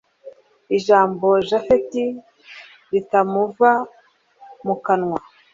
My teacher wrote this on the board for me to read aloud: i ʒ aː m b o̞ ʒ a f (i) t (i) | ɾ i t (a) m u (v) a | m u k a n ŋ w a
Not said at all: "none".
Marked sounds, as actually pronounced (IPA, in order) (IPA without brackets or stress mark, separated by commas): e, i, a, v